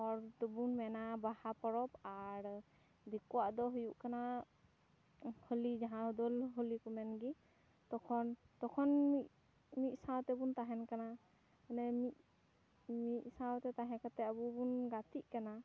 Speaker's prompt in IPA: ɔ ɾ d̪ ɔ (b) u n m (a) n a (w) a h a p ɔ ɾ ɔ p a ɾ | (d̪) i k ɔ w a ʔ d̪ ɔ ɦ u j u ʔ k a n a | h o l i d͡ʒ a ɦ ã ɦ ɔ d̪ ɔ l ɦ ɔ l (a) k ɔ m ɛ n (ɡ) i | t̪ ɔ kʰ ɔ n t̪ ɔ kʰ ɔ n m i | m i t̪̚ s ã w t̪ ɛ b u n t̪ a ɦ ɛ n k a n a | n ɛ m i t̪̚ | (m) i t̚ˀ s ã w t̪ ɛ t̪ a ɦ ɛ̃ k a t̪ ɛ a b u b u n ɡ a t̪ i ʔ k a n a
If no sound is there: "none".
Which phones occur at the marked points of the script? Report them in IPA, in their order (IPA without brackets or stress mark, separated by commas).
b, ɛ, b, d̪, i, ɡ, m